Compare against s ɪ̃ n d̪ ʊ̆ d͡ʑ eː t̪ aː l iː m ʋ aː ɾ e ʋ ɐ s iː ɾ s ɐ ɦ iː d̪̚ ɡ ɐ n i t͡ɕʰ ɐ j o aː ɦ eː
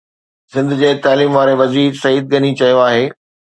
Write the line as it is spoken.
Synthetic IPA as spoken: s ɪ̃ n d̪ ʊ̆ d͡ʑ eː t̪ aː l iː m ʋ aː ɾ e ʋ ɐ z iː ɾ s ɐ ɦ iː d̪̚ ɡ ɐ n i t͡ɕ ɐ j o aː ɦ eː